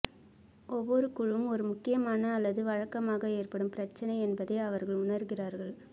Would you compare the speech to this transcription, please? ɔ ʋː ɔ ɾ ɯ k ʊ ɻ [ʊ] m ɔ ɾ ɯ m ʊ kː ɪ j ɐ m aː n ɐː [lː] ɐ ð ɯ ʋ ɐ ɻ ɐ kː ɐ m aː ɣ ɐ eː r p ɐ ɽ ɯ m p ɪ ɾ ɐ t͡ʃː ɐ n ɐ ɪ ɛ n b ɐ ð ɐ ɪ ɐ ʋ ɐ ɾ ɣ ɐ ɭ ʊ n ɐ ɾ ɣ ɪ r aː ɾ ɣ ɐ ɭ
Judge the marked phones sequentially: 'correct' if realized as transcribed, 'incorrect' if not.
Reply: incorrect: ɯ, correct

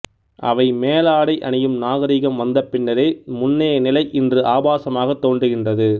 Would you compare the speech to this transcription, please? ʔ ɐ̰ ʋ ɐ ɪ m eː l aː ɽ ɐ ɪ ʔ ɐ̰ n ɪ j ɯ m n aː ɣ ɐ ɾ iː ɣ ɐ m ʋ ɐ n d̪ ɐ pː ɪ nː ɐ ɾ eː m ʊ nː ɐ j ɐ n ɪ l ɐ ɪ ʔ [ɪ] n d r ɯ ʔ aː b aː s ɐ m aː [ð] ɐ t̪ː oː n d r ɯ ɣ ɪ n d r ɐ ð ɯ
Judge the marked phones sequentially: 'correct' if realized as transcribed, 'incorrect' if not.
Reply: correct, incorrect: ɣ

